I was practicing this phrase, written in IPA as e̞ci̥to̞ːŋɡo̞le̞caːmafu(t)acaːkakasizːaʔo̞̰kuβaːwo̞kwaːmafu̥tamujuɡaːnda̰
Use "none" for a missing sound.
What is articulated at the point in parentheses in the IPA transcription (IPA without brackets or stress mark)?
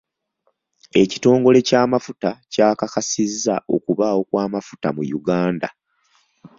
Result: t